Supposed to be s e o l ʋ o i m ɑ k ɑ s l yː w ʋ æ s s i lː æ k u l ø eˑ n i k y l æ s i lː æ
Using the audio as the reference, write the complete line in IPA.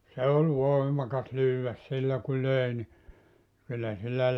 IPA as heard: s e o l ʋ o i m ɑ k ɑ s l yː w ʋ æ s s i lː æ k u l ø eˑ n i k y lː æ s i lː æ

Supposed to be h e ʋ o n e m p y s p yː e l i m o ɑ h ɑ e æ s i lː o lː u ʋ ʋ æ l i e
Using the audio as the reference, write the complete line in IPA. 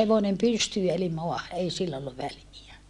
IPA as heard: h e ʋ o n e m p y s t yː e l i m o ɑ h ɑ e i s i lː o lː u ʋ ʋ æ l i æ

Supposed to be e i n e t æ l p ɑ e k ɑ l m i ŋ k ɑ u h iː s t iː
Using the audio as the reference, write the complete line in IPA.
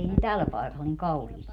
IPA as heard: e i n e t æ l p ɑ e k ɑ l n i ŋ k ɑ u h iː s t i

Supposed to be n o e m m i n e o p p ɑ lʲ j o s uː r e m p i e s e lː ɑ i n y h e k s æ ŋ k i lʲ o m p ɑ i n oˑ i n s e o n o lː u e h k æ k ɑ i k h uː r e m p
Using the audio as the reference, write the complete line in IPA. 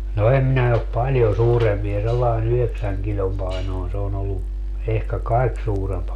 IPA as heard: n o e m m i n æ o p p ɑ lʲ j o s uː r e m p i e s e lː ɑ i n y h e k s æ ŋ k i lʲ o m p ɑ i n oˑ i n s e o n o lː u e h k æ k ɑ i k s uː r e m p

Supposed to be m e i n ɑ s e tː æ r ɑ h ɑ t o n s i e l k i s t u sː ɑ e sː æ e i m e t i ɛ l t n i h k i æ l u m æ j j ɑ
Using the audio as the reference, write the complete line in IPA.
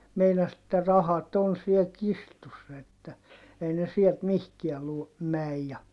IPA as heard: m e i n ɑ s e tː æ r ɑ h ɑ t o n s i e l k i s t u sː ɑ e tː æ e i n e s i ɛ l t m i h k i æ l u m æ j j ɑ

